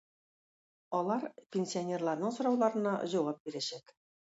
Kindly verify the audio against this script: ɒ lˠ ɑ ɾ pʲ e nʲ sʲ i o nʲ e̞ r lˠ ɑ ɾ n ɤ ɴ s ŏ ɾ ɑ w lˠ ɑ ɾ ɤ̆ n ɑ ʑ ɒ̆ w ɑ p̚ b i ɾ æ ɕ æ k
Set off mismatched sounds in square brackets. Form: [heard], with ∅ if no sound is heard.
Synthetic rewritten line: ɒ lˠ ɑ ɾ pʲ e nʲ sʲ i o nʲ e̞ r lˠ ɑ ɾ n ɤ ɴ s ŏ ɾ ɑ w lˠ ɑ ɾ ɤ̆ n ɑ ʑ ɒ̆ w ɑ p̚ b i ɾ æ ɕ æ k